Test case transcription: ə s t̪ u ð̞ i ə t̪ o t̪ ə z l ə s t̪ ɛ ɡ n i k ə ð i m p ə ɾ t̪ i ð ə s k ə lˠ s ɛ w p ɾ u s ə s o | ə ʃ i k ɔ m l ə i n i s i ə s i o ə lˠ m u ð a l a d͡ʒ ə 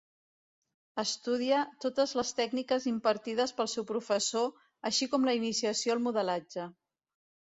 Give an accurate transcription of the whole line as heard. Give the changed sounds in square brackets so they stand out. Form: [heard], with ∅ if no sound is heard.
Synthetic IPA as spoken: ə s t̪ u ð̞ i ə t̪ o t̪ ə z l ə s t̪ ɛ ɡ n i k ə [z] i m p ə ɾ t̪ i ð ə s [p] ə lˠ s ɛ w p ɾ u [f] ə s o | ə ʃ i k ɔ m l ə i n i s i ə s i o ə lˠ m u ð [ə] l a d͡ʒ ə

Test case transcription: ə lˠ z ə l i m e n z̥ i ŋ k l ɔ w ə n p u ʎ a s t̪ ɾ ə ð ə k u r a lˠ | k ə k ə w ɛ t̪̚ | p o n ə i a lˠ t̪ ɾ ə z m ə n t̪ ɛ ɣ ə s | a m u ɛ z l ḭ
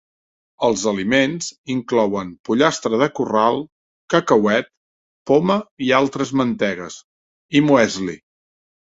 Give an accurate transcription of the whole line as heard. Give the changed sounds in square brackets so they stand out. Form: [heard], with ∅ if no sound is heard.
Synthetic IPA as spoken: ə lˠ z ə l i m e n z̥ i ŋ k l ɔ w ə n p u ʎ a s t̪ ɾ ə ð ə k u r a lˠ | k ə k ə w ɛ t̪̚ | p o [m] ə i a lˠ t̪ ɾ ə z m ə n t̪ ɛ ɣ ə s | [i] m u ɛ z l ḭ

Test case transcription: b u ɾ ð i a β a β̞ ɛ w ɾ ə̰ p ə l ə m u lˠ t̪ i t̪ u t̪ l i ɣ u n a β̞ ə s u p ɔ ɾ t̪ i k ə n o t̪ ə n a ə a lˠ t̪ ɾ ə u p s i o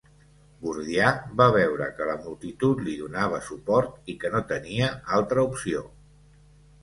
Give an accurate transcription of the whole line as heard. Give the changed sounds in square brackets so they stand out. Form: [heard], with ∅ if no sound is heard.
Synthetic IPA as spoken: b u ɾ ð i a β a β̞ ɛ w ɾ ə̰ [k] ə l ə m u lˠ t̪ i t̪ u t̪ l i [ð] u n a β̞ ə s u p ɔ ɾ t̪ i k ə n o t̪ ə n [i] ə a lˠ t̪ ɾ ə u p s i o

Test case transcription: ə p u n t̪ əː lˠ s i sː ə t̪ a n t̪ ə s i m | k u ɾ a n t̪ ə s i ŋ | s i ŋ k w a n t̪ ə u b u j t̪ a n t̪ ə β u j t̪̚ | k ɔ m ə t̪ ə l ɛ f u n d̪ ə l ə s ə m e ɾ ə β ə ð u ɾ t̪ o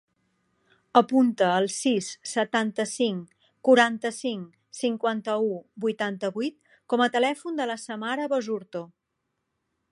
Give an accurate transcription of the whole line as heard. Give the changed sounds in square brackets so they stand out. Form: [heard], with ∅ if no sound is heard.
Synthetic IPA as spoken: ə p u n t̪ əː lˠ s i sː ə t̪ a n t̪ ə s i [ŋ] | k u ɾ a n t̪ ə s i ŋ | s i ŋ k w a n t̪ ə u b u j t̪ a n t̪ ə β u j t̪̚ | k ɔ m ə t̪ ə l ɛ f u n d̪ ə l ə s ə m [a] ɾ ə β ə [z] u ɾ t̪ o

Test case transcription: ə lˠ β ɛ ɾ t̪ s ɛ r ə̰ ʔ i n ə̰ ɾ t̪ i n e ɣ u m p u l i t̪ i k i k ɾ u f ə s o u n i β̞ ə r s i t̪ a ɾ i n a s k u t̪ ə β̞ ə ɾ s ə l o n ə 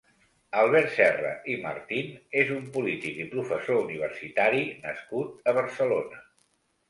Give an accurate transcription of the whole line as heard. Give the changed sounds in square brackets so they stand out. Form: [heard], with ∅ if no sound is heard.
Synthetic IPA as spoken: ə lˠ β ɛ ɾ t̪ s ɛ r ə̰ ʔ i [m] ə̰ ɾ t̪ i n e [z] u m p u l i t̪ i k i [p] ɾ u f ə s o u n i β̞ ə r s i t̪ a ɾ i n [ə] s k u t̪ ə β̞ ə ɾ s ə l o n ə

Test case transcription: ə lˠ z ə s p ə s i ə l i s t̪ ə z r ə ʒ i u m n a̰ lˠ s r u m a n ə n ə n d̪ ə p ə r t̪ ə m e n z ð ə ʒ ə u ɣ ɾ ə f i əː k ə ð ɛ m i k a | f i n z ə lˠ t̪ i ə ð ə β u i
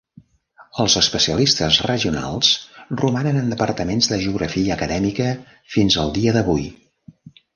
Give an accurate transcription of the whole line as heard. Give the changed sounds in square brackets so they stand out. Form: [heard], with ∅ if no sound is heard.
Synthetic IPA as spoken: ə lˠ z ə s p ə s i ə l i s t̪ ə z r ə ʒ i u [∅] n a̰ lˠ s r u m a n ə n ə n d̪ ə p ə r t̪ ə m e n z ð ə ʒ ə u ɣ ɾ ə f i əː k ə ð ɛ m i k [ə] | f i n z ə lˠ [d̪] i ə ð ə β u [j]

